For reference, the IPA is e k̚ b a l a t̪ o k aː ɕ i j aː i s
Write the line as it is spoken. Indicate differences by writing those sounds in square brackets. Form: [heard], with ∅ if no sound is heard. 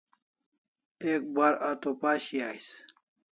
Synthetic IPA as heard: e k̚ b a [ɾ] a t̪ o [p] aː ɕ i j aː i s